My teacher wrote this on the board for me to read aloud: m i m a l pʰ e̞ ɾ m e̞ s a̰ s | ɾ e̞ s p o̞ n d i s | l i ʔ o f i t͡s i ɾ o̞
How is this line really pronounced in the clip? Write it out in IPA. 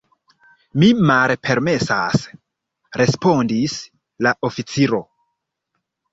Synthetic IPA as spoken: m i m a l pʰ e̞ ɾ m e̞ s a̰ s | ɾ e̞ s p o̞ n d i s | l a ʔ o f i t͡s i ɾ o̞